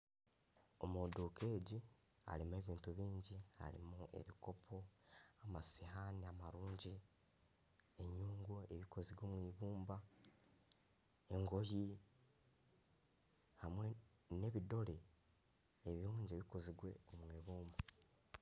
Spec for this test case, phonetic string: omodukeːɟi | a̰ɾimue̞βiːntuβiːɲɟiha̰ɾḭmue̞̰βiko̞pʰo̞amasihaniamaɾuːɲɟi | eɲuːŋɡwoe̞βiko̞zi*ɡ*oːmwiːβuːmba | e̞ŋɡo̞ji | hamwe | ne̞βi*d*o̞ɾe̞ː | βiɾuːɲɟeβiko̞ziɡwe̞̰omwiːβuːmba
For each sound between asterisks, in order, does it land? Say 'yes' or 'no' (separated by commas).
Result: yes, yes